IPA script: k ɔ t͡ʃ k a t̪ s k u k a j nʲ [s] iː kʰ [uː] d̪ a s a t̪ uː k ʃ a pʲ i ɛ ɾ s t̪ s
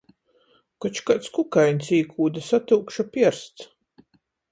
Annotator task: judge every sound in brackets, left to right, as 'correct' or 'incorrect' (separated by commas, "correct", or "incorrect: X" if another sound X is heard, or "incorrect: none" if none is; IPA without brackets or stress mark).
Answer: correct, correct